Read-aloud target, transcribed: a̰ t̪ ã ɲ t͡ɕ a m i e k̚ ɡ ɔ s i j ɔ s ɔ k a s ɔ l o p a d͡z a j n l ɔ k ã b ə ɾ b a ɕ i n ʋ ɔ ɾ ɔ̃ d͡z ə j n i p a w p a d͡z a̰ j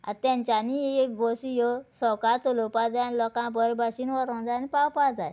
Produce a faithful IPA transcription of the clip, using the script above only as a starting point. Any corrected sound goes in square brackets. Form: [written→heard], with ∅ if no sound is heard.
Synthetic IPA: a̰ t̪ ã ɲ t͡ɕ a [m→n] i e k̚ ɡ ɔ s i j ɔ s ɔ k a [s→t͡s] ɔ l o p a d͡z a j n l ɔ k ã b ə ɾ b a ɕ i n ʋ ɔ ɾ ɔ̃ d͡z [ə→a] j n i p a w p a d͡z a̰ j

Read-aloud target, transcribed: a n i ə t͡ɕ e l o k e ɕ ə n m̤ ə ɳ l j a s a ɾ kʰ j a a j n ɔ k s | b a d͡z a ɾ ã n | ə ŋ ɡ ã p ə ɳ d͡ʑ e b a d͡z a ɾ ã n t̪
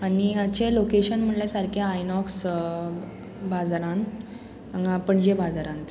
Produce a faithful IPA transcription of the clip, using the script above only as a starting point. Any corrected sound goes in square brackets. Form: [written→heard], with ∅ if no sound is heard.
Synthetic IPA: a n i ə t͡ɕ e l o k e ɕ ə n m̤ ə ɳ l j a s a ɾ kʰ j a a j n ɔ k s | b a d͡z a ɾ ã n | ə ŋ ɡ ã p ə ɳ d͡ʑ e b a d͡z a ɾ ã n t̪

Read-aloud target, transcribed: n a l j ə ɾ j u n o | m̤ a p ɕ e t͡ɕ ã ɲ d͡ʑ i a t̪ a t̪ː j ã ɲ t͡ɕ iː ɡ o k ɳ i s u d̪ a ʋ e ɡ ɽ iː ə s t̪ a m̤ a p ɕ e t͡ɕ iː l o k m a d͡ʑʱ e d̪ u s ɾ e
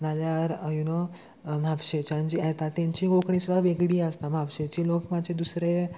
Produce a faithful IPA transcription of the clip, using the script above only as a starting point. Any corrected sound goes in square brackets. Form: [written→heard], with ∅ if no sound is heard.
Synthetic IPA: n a l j [ə→a] ɾ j u n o | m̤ a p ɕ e t͡ɕ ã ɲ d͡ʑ i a t̪ a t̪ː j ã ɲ t͡ɕ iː ɡ o k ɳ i s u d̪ a ʋ e ɡ ɽ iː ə s t̪ a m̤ a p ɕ e t͡ɕ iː l o k m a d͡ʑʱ e d̪ u s ɾ e

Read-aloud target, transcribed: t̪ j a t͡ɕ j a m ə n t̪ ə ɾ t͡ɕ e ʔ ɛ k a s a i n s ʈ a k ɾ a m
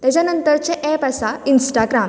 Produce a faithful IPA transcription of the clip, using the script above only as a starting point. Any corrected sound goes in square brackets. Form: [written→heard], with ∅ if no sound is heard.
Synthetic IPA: t̪ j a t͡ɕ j a [m→n] ə n t̪ ə ɾ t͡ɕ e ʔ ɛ [k→p] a s a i n s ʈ a [k→ɡ] ɾ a m

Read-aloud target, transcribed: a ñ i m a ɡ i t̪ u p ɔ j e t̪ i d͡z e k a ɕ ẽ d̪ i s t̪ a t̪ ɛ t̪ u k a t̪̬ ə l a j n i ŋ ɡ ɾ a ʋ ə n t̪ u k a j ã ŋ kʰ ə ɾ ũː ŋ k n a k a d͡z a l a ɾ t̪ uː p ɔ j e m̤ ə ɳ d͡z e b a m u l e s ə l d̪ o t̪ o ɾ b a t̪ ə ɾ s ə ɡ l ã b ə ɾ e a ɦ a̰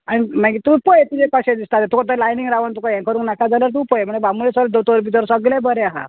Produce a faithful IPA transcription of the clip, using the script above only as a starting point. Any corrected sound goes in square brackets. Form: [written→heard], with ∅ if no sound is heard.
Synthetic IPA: a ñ i m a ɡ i t̪ u p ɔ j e t̪ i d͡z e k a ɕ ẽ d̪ i s t̪ a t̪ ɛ t̪ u k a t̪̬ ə l a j n i ŋ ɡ ɾ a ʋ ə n t̪ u k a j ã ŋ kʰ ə ɾ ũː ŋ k n a k a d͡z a l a ɾ t̪ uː p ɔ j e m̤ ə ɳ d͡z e b a m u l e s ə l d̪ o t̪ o ɾ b [a→i] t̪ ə ɾ s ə ɡ l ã b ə ɾ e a ɦ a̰

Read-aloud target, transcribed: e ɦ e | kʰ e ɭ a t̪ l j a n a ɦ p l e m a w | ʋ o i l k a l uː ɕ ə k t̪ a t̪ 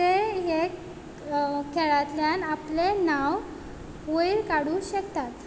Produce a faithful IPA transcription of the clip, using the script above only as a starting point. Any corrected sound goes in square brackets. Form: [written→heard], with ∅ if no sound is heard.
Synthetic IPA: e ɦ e | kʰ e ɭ a t̪ l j a n a [ɦ→∅] p l e [m→n] a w | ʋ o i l k a [l→ɽ] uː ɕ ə k t̪ a t̪

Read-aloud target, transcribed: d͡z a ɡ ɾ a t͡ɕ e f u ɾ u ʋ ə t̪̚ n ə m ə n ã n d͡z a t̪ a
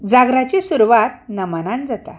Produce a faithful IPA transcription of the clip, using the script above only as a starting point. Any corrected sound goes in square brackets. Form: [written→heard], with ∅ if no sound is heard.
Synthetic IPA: d͡z a ɡ ɾ a t͡ɕ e [f→s] u ɾ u ʋ [ə→a] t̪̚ n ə m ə n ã n d͡z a t̪ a

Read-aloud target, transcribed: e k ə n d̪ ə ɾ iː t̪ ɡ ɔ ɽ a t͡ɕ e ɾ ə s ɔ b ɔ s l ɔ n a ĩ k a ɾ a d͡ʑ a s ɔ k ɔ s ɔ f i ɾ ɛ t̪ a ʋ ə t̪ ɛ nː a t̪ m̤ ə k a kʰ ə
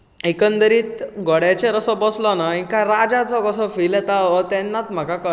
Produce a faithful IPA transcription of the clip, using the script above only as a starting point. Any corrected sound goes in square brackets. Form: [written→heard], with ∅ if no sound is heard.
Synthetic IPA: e k ə n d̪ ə ɾ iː t̪ ɡ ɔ ɽ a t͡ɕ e ɾ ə s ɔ b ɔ s l ɔ n a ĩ k a ɾ a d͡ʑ a [s→t͡s] ɔ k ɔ s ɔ f i [ɾ→l] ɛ t̪ a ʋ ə t̪ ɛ nː a t̪ m̤ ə k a [kʰ→k] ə

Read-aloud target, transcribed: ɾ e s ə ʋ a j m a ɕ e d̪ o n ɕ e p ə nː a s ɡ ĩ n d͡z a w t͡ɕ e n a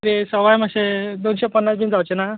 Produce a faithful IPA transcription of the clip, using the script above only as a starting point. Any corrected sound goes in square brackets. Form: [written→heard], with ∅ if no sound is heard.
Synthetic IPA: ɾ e s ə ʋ a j m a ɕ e d̪ o n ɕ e p ə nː a s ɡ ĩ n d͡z a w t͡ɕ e n a

